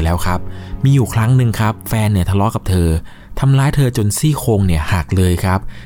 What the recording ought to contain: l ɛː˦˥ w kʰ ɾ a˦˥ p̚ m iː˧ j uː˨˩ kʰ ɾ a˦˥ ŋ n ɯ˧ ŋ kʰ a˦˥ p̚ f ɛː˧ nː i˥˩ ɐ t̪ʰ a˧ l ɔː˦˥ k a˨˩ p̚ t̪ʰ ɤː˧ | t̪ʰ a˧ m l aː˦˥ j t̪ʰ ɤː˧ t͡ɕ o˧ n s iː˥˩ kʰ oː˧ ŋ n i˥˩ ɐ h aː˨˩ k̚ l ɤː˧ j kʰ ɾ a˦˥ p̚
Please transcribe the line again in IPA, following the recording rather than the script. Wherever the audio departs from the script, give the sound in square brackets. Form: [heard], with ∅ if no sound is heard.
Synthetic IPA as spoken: l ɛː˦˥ w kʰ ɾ a˦˥ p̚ m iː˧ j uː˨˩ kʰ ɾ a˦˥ ŋ n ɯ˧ ŋ kʰ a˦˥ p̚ f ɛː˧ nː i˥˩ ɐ t̪ʰ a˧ l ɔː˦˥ k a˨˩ p̚ t̪ʰ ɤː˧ | t̪ʰ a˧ m l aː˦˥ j t̪ʰ ɤː˧ t͡ɕ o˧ n s iː˥˩ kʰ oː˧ ŋ n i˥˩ ɐ h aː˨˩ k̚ l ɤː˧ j kʰ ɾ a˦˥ p̚